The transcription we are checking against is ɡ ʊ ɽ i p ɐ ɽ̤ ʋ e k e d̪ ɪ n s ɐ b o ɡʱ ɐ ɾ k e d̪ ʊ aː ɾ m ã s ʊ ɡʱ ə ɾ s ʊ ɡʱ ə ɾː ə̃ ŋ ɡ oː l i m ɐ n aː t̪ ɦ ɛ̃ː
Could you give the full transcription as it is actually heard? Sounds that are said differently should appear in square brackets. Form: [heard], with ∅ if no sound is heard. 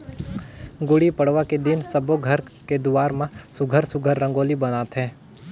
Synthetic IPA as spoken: ɡ ʊ ɽ i p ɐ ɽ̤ ʋ [a] k e d̪ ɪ n s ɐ b o ɡʱ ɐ ɾ k e d̪ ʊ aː ɾ m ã s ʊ ɡʱ ə ɾ s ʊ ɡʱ ə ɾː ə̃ ŋ ɡ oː l i [b] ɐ n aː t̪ ɦ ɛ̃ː